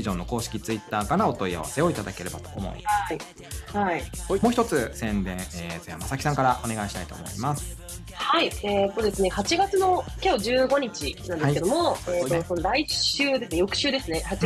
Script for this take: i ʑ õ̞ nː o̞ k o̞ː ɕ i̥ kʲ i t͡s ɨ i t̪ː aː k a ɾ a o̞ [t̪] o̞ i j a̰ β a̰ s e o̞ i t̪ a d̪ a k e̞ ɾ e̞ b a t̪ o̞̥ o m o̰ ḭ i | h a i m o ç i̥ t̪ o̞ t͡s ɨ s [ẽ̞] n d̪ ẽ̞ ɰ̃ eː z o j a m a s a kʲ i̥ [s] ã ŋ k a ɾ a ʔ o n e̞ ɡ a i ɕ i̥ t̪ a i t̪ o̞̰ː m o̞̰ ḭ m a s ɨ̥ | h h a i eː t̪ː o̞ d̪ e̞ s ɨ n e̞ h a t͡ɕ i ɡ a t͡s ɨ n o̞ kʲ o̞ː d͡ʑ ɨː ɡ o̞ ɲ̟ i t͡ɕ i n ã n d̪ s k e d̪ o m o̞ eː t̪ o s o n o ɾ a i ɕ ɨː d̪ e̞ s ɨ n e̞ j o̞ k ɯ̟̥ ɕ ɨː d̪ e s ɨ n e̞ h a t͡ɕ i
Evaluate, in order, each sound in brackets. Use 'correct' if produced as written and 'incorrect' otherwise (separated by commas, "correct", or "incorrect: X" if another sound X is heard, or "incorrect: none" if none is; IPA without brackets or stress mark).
correct, correct, correct